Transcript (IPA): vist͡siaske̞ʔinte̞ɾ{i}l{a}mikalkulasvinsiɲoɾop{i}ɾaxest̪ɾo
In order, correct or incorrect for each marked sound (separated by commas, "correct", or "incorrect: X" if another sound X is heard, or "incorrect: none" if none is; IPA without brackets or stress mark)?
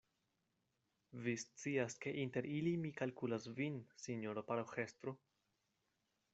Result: correct, incorrect: i, incorrect: a